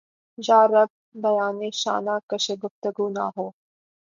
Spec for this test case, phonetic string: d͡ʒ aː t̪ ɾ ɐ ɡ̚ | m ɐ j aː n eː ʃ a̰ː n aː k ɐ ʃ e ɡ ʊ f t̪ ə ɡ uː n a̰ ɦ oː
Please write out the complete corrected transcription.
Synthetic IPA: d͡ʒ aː ɾ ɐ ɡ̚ | b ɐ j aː n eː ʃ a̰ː n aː k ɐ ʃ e ɡ ʊ f t̪ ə ɡ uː n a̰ ɦ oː